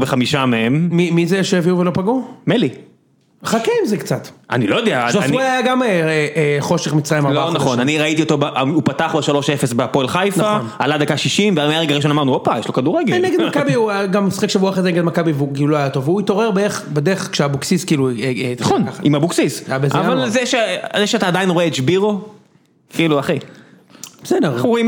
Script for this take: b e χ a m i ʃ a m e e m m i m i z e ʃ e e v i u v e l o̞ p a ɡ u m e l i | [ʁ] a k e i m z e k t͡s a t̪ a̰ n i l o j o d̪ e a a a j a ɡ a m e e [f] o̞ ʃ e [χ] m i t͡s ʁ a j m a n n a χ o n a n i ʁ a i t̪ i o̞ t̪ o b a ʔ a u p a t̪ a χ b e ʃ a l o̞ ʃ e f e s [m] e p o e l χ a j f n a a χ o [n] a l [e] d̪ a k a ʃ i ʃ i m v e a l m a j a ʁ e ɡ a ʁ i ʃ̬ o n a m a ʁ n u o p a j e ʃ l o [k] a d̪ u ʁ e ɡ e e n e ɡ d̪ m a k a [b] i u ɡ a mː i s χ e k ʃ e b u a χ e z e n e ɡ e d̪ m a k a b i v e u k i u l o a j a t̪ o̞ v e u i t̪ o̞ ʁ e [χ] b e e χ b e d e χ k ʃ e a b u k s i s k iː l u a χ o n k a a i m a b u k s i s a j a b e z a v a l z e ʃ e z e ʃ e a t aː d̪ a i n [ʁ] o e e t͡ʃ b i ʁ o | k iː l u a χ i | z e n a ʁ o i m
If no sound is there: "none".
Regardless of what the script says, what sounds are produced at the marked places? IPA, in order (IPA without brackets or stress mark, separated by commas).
χ, χ, χ, b, n, a, k, b, ʁ, ʁ